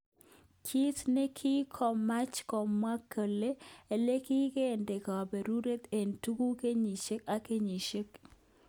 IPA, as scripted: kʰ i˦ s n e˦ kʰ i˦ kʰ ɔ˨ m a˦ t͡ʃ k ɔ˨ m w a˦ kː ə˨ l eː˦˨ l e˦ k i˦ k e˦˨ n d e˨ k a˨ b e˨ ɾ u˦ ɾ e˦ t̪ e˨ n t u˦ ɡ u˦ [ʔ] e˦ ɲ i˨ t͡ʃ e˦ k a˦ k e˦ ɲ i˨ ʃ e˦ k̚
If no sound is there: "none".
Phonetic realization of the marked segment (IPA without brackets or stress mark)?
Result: k